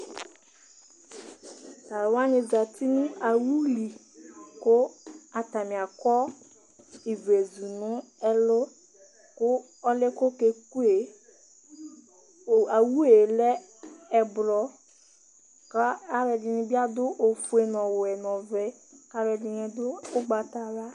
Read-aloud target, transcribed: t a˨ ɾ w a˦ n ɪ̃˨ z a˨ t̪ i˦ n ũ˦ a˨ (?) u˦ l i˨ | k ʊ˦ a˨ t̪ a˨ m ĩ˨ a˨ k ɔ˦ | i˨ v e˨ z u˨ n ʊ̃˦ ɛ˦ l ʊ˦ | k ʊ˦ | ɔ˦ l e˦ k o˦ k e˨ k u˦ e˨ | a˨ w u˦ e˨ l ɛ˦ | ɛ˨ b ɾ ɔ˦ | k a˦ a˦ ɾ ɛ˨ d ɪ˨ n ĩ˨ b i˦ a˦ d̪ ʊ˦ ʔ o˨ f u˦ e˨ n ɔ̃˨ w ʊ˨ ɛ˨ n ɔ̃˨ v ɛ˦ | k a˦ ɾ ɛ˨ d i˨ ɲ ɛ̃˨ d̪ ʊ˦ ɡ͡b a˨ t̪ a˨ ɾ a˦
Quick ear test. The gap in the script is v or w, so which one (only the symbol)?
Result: w